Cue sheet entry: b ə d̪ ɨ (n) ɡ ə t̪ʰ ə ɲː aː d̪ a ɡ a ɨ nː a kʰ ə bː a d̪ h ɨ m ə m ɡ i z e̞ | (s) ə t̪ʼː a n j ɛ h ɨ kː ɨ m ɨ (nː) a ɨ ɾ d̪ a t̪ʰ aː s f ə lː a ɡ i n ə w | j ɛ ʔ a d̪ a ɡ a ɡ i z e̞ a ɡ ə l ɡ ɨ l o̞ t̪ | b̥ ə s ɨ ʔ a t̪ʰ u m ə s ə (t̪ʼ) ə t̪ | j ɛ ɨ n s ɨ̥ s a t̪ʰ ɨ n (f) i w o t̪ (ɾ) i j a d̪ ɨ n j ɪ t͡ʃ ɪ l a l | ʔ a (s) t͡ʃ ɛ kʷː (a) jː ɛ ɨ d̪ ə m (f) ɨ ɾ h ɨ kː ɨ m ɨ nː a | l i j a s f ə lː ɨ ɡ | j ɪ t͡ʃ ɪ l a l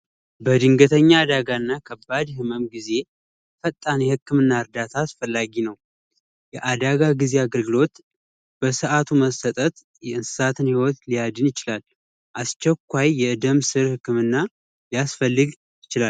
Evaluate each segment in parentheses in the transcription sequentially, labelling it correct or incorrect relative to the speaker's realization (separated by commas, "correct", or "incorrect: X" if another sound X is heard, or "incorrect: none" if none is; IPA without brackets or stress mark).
incorrect: ŋ, incorrect: f, correct, correct, incorrect: h, incorrect: l, correct, correct, incorrect: s